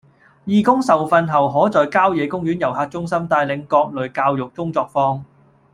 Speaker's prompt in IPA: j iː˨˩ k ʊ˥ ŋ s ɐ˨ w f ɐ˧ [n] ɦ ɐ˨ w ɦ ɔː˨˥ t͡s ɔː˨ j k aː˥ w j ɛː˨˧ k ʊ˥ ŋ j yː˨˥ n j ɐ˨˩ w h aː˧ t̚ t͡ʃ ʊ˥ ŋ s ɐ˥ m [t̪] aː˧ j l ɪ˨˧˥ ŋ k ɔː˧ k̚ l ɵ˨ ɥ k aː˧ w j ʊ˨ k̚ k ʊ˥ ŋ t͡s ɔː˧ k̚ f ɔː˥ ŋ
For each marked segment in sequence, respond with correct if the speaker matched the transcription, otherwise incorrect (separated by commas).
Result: correct, correct